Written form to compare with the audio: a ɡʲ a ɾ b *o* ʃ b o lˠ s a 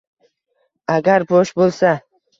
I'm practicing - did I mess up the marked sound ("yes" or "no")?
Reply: no